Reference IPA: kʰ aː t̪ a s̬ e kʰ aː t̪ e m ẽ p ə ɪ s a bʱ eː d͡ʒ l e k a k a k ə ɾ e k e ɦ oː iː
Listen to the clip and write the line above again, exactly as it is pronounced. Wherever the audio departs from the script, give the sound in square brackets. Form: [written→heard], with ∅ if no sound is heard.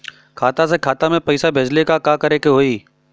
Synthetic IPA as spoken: kʰ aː t̪ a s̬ e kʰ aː t̪ [e→a] m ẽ p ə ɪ s a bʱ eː d͡ʒ l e k a k a k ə ɾ e k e ɦ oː iː